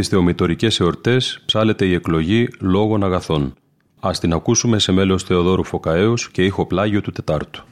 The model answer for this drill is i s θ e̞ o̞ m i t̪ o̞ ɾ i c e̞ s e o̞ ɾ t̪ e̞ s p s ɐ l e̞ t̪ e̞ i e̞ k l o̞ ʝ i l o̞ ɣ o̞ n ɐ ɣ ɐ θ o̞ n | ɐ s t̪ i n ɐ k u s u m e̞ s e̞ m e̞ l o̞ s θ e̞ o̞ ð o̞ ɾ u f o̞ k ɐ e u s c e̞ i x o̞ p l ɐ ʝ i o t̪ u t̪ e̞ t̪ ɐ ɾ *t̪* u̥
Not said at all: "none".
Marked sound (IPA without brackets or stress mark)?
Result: t̪